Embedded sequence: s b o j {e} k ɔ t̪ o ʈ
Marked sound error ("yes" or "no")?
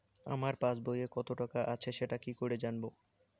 no